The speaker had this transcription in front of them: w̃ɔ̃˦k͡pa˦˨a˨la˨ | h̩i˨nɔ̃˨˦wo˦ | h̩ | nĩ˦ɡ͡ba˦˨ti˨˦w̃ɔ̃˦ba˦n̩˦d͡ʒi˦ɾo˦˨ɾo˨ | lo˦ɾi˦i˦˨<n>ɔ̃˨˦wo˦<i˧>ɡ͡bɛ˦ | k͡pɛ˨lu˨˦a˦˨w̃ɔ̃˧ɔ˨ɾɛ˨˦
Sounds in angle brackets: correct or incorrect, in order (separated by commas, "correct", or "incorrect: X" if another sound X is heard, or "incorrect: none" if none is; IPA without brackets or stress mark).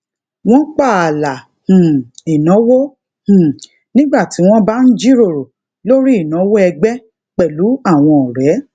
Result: correct, incorrect: ɛ˧